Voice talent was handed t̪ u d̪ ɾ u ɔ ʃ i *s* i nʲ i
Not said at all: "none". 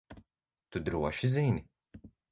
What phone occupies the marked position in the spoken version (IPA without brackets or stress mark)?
z